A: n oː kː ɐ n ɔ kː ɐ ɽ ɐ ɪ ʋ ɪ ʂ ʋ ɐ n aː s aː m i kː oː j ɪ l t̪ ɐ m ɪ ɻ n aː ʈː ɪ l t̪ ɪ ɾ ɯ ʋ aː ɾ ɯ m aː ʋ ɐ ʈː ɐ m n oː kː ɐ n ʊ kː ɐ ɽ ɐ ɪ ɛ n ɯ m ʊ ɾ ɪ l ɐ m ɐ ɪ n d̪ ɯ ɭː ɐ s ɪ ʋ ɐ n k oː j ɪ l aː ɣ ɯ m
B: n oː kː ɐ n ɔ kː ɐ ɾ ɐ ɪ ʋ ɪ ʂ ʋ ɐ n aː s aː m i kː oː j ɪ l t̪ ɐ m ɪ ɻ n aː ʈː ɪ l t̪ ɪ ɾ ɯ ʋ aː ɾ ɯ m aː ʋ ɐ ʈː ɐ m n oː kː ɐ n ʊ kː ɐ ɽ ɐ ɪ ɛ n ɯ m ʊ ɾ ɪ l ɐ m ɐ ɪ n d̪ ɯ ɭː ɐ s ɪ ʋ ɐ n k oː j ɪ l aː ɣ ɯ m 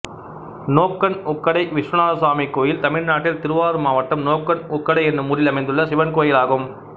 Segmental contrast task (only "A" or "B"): A